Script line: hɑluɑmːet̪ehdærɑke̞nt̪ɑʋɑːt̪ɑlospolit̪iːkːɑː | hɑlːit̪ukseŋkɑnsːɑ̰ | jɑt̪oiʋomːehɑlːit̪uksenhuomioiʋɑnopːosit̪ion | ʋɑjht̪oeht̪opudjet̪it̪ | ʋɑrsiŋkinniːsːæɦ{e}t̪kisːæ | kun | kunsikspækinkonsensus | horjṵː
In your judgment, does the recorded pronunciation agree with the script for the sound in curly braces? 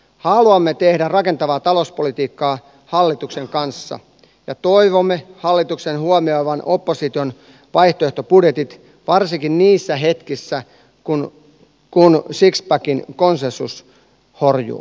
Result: yes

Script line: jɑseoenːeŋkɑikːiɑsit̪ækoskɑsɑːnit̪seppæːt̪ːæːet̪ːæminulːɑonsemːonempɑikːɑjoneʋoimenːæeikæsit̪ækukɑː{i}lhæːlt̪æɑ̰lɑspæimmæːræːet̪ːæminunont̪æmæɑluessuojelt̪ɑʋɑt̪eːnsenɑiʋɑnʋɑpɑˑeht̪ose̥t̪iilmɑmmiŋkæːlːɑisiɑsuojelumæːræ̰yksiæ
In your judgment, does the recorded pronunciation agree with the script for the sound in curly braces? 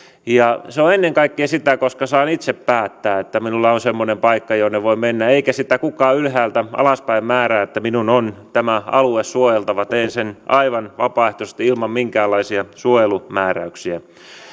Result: no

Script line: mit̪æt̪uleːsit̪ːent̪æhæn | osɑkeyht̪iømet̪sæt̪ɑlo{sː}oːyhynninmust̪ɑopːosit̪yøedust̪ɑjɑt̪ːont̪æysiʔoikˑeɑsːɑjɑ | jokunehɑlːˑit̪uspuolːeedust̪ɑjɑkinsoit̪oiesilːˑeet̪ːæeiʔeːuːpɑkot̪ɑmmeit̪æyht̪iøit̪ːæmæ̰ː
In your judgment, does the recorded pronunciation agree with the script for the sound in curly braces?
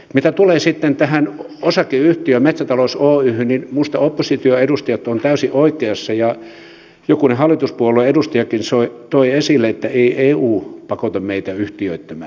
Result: no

